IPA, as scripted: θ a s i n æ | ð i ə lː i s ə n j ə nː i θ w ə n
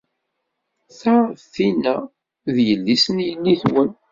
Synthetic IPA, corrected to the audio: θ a θ i n æ | ð j ə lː i s ə n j ə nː i θ w ə n